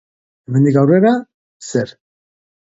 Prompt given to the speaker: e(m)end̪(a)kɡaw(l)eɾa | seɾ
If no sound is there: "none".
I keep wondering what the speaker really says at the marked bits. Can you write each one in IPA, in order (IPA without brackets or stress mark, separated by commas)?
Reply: m, i, r